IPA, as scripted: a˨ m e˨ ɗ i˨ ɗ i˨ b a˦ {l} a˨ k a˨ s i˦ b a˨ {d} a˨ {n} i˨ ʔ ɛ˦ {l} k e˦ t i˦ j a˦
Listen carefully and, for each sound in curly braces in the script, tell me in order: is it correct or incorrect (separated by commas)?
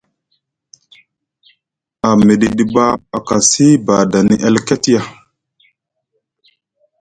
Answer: incorrect, correct, correct, correct